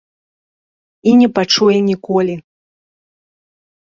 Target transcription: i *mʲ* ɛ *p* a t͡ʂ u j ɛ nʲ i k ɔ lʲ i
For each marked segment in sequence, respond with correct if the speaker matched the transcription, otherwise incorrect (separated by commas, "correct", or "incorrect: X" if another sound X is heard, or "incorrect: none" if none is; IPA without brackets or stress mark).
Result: incorrect: nʲ, correct